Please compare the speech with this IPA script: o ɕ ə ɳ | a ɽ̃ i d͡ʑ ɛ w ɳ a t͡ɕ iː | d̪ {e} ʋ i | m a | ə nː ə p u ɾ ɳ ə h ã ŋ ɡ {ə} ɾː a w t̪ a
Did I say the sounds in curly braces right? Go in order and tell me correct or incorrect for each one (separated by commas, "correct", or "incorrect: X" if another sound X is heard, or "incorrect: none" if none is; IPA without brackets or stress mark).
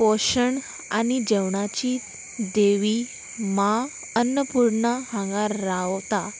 correct, incorrect: a